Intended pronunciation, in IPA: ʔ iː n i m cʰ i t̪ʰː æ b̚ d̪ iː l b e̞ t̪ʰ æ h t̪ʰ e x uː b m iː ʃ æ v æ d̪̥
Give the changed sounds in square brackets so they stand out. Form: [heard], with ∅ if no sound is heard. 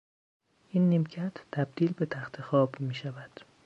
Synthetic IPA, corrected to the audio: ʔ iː [nː] i m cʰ [æ] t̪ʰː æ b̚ d̪ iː l b e̞ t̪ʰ æ [x] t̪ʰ e x [ɒː] b m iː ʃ æ v æ d̪̥